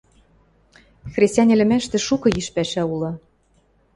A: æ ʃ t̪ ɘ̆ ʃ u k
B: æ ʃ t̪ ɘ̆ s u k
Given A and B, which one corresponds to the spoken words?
A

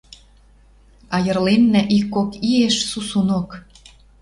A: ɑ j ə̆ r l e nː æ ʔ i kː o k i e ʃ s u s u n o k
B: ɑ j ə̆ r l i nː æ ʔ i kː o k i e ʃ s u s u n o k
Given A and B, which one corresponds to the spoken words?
A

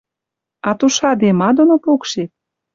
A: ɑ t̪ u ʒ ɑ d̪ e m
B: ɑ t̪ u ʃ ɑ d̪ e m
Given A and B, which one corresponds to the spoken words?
B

